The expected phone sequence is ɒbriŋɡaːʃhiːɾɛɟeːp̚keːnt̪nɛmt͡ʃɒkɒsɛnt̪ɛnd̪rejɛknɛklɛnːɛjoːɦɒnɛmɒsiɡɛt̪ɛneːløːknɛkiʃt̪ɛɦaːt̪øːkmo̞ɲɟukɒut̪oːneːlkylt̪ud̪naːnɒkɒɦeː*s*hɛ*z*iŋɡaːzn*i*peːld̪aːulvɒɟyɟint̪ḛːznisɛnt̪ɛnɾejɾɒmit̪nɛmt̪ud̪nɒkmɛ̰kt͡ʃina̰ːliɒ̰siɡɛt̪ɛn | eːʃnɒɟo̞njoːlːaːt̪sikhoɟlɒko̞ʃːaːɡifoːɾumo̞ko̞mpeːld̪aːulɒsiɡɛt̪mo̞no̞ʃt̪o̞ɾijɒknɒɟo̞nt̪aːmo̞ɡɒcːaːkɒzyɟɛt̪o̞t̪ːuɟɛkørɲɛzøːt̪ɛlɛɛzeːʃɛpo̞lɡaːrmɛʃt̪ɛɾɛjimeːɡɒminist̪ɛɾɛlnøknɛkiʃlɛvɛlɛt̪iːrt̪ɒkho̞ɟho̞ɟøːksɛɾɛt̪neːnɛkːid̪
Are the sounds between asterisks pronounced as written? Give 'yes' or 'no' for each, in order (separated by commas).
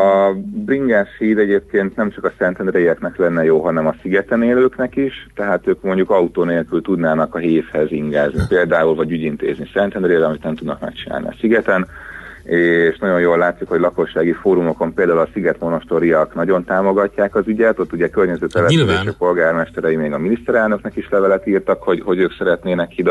no, yes, yes